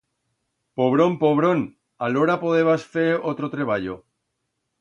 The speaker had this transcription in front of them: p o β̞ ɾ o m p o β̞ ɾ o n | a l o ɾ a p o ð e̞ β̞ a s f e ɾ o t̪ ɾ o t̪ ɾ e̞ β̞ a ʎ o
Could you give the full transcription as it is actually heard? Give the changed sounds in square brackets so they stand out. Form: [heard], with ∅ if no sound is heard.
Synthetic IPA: p o β̞ ɾ o m p o β̞ ɾ o n | a l o ɾ a p o ð e̞ β̞ a s f e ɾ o t̪ ɾ o t̪ ɾ e̞ β̞ a ʎ o